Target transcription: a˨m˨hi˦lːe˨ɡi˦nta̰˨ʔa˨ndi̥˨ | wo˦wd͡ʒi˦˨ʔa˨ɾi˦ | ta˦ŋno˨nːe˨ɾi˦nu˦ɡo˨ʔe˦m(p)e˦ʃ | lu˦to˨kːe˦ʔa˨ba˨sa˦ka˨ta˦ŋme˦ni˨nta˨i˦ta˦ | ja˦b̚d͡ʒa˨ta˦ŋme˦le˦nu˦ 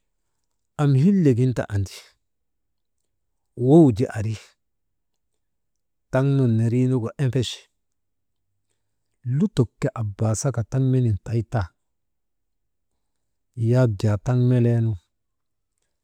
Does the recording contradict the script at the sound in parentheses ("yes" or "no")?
no